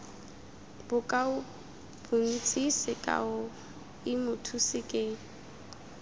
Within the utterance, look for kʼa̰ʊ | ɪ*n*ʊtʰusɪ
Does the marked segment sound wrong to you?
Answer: yes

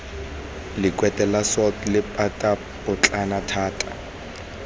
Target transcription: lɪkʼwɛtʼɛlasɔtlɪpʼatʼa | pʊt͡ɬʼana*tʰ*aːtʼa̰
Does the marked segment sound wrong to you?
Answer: no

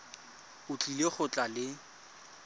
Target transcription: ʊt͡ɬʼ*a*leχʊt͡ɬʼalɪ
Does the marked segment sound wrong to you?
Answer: yes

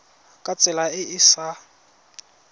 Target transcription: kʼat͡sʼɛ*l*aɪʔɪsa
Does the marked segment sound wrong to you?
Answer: no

